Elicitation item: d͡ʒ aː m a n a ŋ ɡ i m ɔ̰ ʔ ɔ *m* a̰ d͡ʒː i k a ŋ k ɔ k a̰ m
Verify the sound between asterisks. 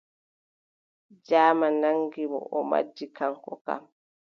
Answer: correct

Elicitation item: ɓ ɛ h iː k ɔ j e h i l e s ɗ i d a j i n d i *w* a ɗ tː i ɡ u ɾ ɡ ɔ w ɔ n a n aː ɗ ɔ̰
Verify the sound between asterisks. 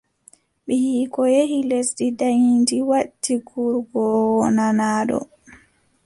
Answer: correct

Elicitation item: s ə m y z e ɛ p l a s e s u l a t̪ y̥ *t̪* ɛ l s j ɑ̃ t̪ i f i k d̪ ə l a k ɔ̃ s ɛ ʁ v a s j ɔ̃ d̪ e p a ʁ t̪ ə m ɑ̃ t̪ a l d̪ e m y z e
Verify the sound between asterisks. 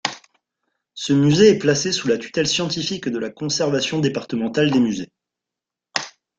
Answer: correct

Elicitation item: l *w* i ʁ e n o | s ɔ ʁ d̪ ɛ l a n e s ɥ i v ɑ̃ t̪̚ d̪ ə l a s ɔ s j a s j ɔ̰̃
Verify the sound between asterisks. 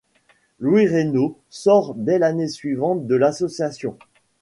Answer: correct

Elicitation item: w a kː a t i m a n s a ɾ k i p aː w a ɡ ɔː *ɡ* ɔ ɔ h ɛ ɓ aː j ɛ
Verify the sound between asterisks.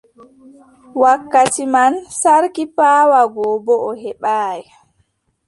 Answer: incorrect: b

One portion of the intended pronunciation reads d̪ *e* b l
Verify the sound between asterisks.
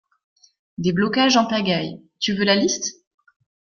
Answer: correct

